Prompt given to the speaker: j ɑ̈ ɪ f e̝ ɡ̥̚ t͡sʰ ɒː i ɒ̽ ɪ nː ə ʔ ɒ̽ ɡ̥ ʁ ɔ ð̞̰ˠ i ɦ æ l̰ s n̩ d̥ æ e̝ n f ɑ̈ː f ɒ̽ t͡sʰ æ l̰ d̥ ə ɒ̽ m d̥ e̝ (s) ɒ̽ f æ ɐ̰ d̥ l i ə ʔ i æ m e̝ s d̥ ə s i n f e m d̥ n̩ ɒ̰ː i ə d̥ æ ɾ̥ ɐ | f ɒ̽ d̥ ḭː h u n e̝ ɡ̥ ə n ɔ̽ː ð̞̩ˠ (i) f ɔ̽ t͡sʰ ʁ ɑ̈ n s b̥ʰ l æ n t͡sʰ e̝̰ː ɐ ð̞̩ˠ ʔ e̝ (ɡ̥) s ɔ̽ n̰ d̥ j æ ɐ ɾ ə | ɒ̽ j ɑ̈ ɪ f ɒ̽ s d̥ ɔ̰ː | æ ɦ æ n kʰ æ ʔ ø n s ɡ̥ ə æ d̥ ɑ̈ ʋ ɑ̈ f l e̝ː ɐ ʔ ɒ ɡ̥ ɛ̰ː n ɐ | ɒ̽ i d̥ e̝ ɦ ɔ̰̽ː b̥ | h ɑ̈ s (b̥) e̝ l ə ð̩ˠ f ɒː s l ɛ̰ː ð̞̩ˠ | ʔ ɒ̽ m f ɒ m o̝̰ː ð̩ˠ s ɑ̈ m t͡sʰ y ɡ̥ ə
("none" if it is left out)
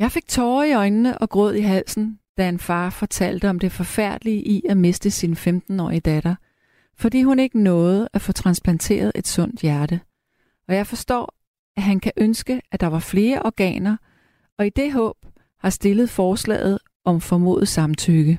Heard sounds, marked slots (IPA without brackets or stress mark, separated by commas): f, æ, d̥, d̥